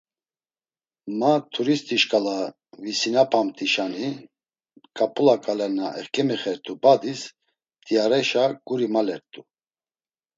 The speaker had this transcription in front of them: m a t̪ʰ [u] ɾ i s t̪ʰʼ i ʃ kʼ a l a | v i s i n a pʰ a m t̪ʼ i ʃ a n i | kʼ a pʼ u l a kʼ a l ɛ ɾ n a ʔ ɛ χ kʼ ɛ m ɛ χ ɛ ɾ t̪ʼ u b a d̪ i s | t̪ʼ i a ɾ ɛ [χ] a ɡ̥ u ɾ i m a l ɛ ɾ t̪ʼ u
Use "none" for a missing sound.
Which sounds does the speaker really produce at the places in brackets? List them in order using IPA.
u, ʃ

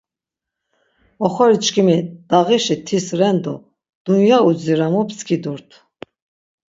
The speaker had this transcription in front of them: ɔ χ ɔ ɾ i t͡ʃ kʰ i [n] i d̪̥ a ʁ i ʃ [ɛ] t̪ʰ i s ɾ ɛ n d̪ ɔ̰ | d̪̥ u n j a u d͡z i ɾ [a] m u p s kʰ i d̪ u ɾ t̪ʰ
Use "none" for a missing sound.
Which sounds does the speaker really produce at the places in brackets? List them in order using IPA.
m, i, a

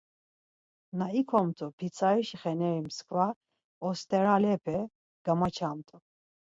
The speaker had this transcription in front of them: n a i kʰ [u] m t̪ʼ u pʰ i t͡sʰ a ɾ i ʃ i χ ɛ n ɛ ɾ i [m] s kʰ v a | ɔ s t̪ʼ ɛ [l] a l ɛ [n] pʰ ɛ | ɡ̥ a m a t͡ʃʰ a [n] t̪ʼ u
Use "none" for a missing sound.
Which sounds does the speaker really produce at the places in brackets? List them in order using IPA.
ɔ, m, ɾ, none, m

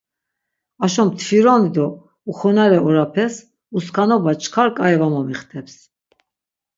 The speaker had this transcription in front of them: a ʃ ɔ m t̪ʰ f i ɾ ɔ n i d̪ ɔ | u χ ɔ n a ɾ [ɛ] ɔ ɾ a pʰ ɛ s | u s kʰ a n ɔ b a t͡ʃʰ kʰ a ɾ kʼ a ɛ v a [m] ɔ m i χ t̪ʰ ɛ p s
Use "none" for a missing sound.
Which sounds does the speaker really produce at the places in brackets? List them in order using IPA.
ɛ, m

